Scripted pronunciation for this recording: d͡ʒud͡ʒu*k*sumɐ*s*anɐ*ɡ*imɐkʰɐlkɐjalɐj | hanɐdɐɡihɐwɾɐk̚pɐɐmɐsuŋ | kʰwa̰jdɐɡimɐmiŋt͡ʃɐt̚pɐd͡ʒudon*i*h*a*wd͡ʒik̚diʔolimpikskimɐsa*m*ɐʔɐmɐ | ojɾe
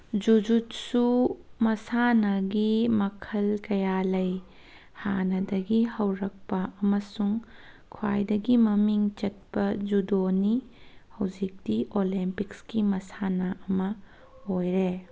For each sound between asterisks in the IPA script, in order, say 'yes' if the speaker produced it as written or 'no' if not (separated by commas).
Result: no, yes, yes, yes, no, no